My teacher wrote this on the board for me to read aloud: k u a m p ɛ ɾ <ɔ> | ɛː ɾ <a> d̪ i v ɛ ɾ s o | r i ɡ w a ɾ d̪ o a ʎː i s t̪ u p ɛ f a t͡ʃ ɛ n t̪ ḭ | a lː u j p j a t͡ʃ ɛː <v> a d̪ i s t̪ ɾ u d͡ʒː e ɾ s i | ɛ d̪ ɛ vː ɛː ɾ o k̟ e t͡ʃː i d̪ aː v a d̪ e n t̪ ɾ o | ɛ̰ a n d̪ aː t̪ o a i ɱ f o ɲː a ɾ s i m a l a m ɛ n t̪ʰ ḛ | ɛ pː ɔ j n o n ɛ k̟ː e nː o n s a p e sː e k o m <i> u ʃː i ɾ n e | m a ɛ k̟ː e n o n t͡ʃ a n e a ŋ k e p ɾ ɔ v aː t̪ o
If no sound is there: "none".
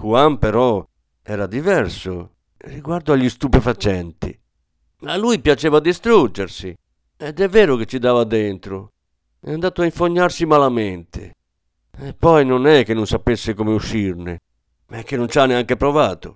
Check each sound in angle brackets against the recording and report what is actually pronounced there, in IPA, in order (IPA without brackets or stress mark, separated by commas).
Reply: ɔ, a, v, e